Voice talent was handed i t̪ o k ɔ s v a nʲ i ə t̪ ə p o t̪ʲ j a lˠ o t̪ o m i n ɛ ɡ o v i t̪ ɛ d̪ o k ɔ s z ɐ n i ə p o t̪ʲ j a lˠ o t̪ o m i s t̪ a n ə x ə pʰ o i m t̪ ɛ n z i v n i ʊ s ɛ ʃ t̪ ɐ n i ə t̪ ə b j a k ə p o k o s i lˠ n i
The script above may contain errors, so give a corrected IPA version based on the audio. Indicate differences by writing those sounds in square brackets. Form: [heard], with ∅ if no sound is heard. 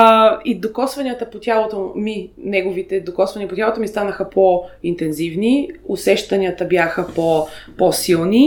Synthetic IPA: i [d̪] o k ɔ s v [ɐ] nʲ i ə t̪ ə p o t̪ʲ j a lˠ o t̪ o m i n ɛ ɡ o v i t̪ ɛ d̪ o k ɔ s [v] ɐ n i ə p o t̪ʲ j a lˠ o t̪ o m i s t̪ a n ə x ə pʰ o i [n] t̪ ɛ n z i v n i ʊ s ɛ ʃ t̪ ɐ n i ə t̪ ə b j a [x] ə p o [p] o s i lˠ n i